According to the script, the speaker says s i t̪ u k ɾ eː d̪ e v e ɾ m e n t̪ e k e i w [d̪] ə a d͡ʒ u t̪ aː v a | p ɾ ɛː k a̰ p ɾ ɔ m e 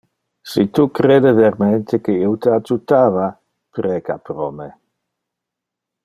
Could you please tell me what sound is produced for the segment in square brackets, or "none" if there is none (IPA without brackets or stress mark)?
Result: t̪